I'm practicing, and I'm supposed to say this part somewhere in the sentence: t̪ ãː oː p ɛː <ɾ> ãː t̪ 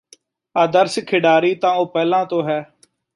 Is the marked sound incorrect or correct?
incorrect